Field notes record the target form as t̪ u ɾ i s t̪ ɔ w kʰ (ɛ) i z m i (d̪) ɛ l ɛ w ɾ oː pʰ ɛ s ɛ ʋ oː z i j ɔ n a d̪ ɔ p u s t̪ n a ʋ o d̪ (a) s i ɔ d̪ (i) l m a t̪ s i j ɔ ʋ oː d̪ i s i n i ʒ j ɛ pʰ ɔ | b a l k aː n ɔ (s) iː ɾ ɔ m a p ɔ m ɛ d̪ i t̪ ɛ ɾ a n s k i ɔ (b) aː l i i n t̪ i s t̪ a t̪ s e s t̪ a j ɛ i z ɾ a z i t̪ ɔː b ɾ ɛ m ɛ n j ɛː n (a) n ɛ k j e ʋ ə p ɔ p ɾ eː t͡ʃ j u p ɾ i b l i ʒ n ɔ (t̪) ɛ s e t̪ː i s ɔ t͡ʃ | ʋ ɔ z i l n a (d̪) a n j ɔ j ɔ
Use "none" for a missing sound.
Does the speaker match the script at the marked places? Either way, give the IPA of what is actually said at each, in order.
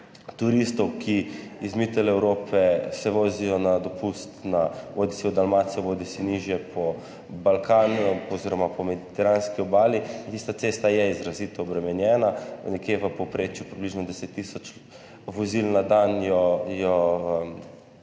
i, t̪, i, a, z, b, a, d̪, d̪

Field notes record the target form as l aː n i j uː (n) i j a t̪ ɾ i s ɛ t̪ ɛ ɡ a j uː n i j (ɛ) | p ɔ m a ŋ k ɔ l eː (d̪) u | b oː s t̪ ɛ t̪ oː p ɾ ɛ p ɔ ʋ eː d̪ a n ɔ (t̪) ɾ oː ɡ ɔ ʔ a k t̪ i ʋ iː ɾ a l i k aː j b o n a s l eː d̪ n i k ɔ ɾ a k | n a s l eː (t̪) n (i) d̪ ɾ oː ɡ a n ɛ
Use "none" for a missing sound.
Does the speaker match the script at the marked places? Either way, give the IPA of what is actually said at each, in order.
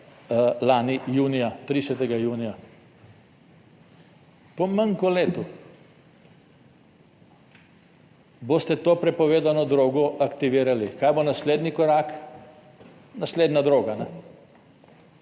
n, a, t̪, d̪, d̪, a

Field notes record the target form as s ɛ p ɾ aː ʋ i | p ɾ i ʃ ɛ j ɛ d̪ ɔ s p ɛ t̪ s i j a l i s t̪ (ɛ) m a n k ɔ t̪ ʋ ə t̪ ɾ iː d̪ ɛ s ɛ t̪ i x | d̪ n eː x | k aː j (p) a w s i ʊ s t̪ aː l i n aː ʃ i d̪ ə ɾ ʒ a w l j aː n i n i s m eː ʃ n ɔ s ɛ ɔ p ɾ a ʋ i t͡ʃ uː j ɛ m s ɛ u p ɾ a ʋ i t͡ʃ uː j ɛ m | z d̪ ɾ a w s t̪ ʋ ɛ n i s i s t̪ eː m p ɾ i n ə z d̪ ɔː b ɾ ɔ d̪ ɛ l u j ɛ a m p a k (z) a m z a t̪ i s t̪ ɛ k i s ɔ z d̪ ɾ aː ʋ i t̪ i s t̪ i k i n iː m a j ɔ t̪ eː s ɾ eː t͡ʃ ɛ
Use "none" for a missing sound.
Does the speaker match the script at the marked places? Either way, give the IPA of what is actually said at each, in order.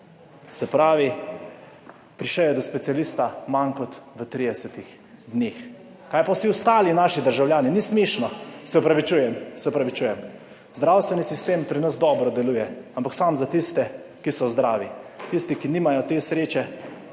a, p, s

